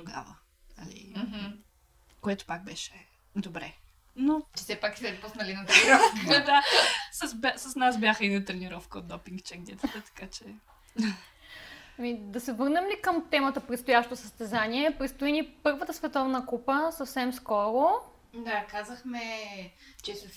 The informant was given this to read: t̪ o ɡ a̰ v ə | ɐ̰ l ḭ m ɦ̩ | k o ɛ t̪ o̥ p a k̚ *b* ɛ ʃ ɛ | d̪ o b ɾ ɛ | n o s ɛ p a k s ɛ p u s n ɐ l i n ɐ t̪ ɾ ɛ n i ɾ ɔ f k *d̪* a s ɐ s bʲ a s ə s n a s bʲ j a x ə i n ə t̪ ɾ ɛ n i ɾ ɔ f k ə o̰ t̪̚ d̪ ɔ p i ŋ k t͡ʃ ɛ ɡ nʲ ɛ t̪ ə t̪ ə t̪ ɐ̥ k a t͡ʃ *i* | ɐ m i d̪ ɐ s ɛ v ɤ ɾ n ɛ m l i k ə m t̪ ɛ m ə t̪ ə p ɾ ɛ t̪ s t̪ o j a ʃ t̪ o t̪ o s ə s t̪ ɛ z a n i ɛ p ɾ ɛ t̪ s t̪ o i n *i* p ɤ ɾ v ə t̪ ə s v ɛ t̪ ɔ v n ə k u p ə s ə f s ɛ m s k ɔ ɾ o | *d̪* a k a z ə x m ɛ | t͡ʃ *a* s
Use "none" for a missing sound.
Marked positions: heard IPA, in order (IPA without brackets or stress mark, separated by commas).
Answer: b, d̪, ɛ, i, d̪, ɛ